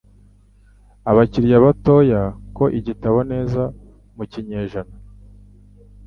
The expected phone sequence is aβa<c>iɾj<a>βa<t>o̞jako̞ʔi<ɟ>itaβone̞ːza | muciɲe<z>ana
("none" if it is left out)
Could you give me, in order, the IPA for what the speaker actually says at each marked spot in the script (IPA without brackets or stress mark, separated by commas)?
c, a, t, ɟ, ʒ